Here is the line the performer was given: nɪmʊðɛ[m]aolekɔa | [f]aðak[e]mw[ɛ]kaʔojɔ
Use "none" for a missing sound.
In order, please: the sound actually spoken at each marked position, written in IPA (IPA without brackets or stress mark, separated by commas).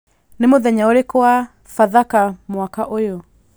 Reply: ɲ, f, a, a